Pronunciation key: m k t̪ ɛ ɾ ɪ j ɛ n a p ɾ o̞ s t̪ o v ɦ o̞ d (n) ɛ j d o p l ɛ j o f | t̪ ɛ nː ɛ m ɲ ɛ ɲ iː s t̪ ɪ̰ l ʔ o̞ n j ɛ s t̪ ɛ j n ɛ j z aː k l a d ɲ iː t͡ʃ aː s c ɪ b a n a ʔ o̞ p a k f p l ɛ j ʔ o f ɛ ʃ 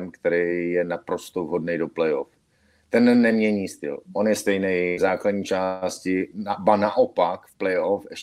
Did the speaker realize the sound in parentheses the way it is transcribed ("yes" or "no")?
yes